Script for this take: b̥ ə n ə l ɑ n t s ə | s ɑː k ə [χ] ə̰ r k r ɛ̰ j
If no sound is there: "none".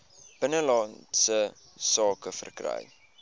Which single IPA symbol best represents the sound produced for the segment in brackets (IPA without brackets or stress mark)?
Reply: f